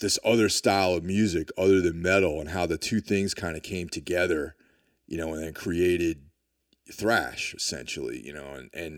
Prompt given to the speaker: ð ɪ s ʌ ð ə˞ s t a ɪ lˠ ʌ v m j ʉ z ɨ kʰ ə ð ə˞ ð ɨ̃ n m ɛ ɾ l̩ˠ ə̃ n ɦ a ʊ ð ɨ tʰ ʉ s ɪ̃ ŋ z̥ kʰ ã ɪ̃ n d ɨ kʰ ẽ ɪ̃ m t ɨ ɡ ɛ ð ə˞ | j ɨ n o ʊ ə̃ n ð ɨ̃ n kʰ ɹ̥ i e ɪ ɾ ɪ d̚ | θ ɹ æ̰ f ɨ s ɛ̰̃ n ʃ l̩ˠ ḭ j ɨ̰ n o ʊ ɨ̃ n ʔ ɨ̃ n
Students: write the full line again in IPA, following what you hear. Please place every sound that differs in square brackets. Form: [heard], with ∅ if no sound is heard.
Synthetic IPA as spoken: ð ɪ s ʌ ð ə˞ s t a ɪ lˠ ʌ v m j ʉ z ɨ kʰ [ʌ] ð ə˞ ð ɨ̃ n m ɛ ɾ l̩ˠ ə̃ n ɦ a ʊ ð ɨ tʰ ʉ [θ] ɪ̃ ŋ z̥ kʰ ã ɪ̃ n d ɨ kʰ ẽ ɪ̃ m [tʰ] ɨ ɡ ɛ ð ə˞ | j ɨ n o ʊ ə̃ n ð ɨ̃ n kʰ ɹ̥ i e ɪ ɾ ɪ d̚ | θ ɹ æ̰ [ʃ] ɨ s ɛ̰̃ n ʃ l̩ˠ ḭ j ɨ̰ n o ʊ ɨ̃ n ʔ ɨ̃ n